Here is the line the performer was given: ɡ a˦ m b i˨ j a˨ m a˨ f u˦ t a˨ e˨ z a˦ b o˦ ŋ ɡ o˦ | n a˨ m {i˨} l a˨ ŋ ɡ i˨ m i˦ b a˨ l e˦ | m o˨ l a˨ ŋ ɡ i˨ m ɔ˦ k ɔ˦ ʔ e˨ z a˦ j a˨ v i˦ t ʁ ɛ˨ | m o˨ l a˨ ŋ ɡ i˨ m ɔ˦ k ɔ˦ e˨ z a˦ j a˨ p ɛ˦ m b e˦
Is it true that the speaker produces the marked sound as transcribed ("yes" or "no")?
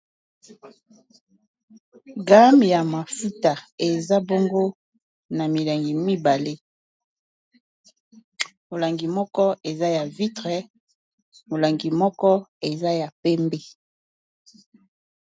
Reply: yes